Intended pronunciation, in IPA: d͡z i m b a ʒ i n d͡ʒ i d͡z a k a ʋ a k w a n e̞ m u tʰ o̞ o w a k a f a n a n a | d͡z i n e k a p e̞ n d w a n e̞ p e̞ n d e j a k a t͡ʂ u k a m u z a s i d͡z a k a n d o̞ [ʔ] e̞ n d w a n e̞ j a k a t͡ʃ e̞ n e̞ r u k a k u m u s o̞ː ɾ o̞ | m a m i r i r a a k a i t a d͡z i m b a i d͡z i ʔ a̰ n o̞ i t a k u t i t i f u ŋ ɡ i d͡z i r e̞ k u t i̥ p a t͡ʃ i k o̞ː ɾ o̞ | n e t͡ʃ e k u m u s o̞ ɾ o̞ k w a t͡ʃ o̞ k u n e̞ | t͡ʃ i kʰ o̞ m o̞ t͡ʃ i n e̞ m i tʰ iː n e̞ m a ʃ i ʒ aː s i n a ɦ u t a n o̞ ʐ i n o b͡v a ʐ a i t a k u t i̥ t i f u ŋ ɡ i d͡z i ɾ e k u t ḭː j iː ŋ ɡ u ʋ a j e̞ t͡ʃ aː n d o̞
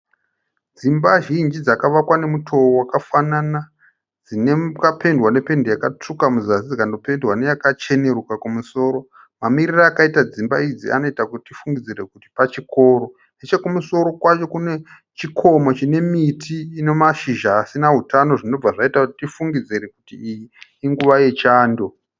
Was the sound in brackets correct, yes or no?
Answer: no